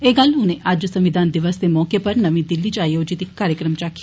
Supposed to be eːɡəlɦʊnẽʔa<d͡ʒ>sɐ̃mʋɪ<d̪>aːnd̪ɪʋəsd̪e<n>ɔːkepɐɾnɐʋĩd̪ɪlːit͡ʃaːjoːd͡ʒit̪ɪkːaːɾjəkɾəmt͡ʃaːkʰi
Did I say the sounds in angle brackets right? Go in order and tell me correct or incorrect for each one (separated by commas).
correct, correct, incorrect